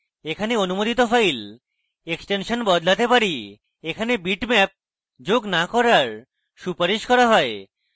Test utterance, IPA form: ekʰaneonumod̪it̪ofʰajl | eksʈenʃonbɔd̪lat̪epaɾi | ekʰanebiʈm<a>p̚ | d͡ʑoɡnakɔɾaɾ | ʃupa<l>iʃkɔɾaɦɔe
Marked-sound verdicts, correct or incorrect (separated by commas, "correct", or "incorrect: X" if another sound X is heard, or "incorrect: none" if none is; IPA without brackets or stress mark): incorrect: ɛ, incorrect: ɾ